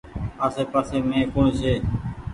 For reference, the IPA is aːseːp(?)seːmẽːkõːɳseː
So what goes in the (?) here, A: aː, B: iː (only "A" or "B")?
A